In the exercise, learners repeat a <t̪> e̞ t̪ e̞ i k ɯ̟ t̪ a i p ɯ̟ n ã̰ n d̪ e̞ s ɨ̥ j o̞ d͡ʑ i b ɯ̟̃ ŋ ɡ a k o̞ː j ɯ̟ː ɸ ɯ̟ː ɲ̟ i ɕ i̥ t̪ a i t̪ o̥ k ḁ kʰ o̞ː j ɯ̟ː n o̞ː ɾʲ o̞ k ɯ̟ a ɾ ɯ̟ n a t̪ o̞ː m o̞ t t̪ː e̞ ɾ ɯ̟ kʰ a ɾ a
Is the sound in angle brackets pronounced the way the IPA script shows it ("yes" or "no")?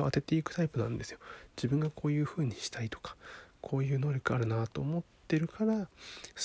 yes